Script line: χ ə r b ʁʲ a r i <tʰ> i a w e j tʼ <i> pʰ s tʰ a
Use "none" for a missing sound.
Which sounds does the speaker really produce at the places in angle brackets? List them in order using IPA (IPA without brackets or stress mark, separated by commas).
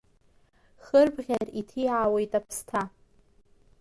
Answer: tʰ, a